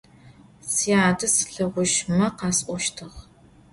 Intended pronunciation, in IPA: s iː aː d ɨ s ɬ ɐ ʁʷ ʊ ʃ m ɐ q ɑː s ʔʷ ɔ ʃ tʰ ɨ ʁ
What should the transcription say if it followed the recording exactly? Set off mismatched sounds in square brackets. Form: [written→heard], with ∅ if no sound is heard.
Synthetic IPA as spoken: s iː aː d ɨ s ɬ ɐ ʁʷ ʊ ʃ m ɐ q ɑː s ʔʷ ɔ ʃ tʰ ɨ ʁ